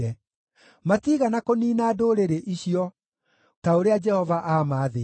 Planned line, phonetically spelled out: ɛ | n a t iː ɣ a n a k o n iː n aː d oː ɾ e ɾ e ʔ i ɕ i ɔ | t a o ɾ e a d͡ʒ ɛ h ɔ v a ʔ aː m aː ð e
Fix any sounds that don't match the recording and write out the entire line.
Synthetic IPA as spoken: ɛ | m a t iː ɣ a n a k o n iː n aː d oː ɾ e ɾ e ʔ i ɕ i ɔ | t a o ɾ e a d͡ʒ ɛ h ɔ v a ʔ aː m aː ð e